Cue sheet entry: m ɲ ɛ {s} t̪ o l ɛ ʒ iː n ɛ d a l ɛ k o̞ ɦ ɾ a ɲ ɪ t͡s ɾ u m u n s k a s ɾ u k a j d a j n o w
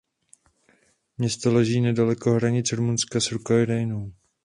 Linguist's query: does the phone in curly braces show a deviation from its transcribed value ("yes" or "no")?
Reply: no